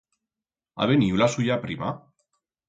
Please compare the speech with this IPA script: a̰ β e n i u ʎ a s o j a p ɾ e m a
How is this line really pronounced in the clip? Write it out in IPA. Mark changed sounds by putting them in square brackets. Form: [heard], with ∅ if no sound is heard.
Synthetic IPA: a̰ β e n i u [l] a s [u] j a p ɾ [i] m a